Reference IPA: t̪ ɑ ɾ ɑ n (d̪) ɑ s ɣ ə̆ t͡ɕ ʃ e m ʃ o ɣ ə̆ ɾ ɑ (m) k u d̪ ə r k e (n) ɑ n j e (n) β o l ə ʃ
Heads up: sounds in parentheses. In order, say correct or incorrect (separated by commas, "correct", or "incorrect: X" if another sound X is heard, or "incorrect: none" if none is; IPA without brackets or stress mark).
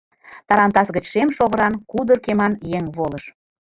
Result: incorrect: t̪, incorrect: n, incorrect: m, incorrect: ŋ